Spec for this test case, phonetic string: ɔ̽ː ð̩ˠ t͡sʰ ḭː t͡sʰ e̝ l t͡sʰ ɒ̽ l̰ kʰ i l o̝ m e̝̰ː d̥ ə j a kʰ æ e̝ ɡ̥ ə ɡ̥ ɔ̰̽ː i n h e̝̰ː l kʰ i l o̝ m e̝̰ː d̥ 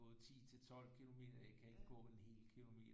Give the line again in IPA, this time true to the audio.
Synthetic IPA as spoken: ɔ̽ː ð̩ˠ t͡sʰ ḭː t͡sʰ e̝ l t͡sʰ ɒ̽ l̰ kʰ i l o̝ m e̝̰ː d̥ ɐ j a kʰ æ e̝ ɡ̥ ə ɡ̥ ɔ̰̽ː e n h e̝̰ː l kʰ i l o̝ m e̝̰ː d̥